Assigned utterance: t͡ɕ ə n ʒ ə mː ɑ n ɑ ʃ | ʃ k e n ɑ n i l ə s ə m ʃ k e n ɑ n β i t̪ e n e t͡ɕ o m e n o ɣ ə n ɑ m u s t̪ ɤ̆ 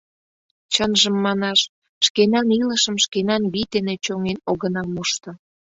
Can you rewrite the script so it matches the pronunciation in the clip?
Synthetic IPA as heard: t͡ɕ ə n ʒ ə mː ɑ n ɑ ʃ | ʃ k e n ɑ n i l ə ʃ ə m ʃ k e n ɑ n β i t̪ e n e t͡ɕ o ŋ e n o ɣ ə n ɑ m u ʃ t̪ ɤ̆

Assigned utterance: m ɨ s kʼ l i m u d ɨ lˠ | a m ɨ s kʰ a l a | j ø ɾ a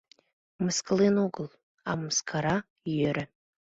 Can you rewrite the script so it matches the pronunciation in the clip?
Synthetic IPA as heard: m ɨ s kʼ l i n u ɡ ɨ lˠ | a m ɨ s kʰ a ɾ a | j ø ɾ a

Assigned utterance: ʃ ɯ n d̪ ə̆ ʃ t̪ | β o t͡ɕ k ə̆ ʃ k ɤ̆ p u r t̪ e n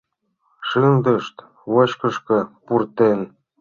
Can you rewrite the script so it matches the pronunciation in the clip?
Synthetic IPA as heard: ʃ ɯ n d̪ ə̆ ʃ t̪ | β o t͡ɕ k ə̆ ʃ k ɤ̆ p u r t̪ e n

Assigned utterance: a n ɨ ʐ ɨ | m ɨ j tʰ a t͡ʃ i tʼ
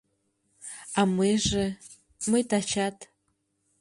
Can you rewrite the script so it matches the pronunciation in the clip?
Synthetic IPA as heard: a m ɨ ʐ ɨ | m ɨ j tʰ a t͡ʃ a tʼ

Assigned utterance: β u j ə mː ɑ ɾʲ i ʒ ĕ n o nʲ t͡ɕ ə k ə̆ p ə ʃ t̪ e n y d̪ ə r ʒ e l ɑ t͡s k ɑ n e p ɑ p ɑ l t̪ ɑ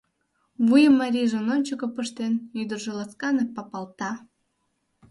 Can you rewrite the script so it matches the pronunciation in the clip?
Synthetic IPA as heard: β u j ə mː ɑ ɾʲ i ʒ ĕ n o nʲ t͡ɕ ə k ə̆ p ə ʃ t̪ e n y d̪ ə r ʒ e l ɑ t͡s k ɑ n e p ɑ p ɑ l t̪ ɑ

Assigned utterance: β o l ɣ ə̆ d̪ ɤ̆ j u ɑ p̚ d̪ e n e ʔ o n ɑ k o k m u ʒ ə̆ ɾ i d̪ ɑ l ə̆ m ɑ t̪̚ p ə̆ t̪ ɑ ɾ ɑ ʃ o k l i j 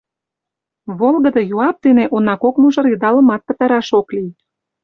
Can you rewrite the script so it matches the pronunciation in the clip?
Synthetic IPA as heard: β o l ɣ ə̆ d̪ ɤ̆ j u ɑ p̚ d̪ e n e ʔ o n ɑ k o k m u ʒ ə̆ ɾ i d̪ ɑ l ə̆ m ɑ t̪̚ p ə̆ t̪ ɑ ɾ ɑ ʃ o k l i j

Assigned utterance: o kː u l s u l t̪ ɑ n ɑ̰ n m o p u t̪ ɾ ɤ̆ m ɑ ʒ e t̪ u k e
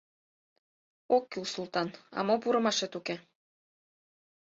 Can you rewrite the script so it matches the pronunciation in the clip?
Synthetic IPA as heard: o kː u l s u l t̪ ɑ n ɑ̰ m o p u ɾ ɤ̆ m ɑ ʃ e t̪ u k e

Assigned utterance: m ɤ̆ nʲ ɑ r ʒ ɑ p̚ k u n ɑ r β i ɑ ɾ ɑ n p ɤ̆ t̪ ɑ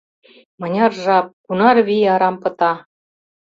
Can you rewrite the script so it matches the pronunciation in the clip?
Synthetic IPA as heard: m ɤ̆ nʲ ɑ r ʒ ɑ p̚ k u n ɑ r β i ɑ ɾ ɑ m p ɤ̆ t̪ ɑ

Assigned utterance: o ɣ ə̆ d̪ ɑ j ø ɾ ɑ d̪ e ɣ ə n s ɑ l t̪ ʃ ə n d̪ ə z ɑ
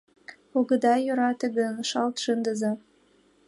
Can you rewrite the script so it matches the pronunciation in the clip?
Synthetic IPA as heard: o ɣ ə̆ d̪ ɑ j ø ɾ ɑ t̪ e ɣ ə n ʃ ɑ l t̪ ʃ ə n d̪ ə z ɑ

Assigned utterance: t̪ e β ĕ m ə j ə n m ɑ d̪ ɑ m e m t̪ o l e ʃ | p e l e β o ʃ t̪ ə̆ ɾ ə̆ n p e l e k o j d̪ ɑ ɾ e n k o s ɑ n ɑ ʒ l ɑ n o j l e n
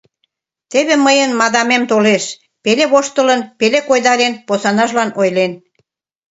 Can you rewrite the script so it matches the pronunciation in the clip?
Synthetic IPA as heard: t̪ e β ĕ m ə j ə n m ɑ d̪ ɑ m e m t̪ o l e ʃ | p e l e β o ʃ t̪ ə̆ l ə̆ n p e l e k o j d̪ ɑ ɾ e n p o s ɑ n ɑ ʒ l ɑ n o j l e n

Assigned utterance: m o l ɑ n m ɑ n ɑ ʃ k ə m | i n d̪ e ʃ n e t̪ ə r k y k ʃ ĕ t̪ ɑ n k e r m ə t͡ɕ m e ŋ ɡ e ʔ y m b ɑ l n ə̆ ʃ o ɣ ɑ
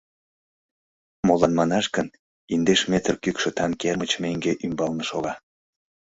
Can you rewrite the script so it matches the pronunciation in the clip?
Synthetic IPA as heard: m o l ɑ n m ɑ n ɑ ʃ k ə n | i n d̪ e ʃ m e t̪ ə r k y k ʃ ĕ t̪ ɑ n k e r m ə t͡ɕ m e ŋ ɡ e ʔ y m b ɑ l n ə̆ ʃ o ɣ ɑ

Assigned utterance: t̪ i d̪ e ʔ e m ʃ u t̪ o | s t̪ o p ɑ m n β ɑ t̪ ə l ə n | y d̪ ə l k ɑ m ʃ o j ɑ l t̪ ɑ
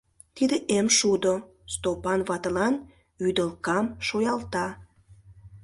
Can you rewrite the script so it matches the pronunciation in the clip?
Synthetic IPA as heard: t̪ i d̪ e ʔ e m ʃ u d̪ o | s t̪ o p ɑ n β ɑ t̪ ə l ɑ n | y d̪ ə l k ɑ m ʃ o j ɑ l t̪ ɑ

